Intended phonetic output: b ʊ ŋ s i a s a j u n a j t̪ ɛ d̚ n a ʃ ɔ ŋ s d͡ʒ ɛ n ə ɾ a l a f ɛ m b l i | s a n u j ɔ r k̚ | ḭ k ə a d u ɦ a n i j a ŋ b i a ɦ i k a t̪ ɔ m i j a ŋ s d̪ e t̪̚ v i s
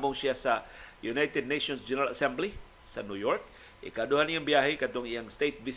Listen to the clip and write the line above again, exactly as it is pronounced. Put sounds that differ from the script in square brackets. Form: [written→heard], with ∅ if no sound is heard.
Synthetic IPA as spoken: b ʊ ŋ s i a s a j u n a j t̪ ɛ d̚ n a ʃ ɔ [ŋ→n] s d͡ʒ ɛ n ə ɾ a l a [f→s] ɛ m b l i | s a n u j ɔ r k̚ | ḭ k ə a d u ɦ a n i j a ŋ b i a ɦ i k a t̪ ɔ [m→ŋ] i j a ŋ s [d̪→t̪] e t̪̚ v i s